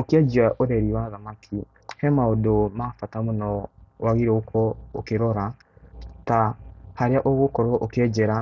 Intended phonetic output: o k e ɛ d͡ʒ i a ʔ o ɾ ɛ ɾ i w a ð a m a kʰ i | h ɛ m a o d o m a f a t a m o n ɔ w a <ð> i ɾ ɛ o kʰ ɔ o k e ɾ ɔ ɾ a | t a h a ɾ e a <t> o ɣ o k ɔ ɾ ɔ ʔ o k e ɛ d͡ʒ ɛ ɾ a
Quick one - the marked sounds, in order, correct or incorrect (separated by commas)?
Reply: incorrect, incorrect